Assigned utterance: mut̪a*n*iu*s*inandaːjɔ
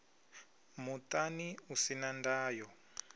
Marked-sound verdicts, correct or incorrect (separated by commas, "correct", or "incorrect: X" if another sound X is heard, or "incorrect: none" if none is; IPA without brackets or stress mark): correct, correct